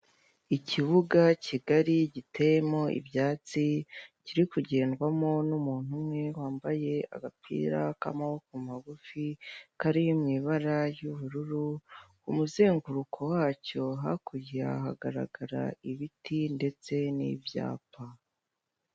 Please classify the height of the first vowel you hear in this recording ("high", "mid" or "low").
high